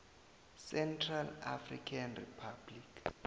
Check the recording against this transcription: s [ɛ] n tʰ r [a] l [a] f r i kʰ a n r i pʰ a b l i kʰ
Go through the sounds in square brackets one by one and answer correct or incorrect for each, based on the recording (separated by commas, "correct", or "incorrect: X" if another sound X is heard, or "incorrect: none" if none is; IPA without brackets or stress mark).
correct, correct, correct